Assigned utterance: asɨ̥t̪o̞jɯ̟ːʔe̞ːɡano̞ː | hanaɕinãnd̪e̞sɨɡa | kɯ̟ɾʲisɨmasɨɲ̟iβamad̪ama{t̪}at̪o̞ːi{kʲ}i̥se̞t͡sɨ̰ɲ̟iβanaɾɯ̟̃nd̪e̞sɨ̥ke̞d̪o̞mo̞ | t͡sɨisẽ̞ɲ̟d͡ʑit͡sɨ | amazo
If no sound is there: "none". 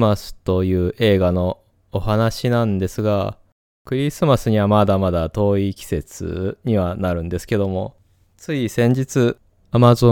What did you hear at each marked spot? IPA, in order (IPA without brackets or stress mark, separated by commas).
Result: d̪, kʲ